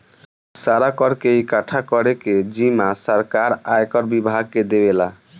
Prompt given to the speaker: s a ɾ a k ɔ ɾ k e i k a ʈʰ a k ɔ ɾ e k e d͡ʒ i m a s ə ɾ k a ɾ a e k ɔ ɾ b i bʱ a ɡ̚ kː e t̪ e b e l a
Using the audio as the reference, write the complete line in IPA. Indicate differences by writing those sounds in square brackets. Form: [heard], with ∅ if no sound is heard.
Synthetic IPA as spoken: s a ɾ a k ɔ ɾ k e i k a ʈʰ a k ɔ ɾ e k e d͡ʒ i m a s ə ɾ k a ɾ a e k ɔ ɾ b i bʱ a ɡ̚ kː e [d̪] e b e l a